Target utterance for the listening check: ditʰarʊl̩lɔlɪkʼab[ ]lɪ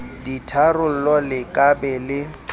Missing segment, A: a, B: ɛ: B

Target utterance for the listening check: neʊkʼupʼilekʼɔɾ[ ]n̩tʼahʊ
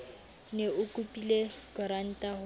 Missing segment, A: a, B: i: A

